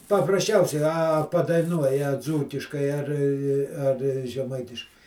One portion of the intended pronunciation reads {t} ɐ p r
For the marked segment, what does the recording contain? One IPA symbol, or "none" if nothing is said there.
p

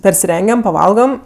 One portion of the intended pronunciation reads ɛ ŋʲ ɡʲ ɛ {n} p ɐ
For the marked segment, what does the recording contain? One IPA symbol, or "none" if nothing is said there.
m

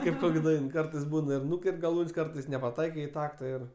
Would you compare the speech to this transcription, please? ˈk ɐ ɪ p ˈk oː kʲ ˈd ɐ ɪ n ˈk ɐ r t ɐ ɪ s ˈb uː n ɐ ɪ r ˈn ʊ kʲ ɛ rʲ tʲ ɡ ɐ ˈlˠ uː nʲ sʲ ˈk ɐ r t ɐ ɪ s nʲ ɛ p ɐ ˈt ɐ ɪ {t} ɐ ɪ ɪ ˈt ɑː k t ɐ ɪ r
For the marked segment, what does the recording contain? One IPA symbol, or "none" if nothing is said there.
k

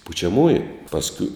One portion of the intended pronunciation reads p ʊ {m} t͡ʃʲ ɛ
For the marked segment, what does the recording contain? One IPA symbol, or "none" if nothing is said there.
none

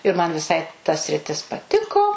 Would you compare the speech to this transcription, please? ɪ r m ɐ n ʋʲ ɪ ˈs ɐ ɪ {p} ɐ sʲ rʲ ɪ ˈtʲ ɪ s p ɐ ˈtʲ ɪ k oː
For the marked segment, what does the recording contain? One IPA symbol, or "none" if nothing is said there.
t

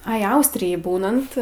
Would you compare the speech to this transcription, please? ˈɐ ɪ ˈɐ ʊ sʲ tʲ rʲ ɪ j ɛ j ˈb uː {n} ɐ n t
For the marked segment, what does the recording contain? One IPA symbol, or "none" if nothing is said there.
n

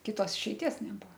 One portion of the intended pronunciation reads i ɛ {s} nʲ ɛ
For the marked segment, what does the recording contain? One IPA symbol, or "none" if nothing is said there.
s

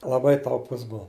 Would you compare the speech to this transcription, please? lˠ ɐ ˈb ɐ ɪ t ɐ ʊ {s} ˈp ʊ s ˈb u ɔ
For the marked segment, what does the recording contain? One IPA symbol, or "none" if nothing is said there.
none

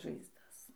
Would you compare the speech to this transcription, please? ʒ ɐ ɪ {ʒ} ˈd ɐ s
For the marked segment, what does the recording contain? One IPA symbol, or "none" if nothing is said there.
z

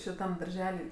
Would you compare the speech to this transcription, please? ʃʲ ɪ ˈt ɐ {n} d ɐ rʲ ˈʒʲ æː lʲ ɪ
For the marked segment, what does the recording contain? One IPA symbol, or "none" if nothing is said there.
m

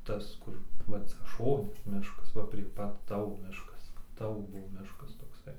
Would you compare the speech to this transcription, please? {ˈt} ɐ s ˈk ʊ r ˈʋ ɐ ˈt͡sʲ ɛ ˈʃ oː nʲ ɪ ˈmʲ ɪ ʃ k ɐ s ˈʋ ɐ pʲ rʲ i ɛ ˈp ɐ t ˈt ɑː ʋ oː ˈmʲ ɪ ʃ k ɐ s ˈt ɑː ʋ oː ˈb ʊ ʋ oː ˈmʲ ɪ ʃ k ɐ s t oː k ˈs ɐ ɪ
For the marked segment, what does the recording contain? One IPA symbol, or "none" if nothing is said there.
t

